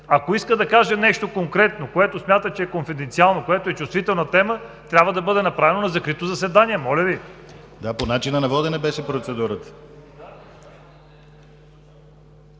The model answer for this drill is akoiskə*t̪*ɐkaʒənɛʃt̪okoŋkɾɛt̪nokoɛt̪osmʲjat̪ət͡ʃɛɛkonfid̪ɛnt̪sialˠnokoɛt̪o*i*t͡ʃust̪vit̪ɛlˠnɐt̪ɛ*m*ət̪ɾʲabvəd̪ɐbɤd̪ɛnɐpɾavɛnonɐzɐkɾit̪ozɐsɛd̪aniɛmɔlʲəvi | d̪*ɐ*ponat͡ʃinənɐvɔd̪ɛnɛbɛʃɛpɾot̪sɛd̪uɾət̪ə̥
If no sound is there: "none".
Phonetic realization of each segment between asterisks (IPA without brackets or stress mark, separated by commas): d̪, ɛ, m, a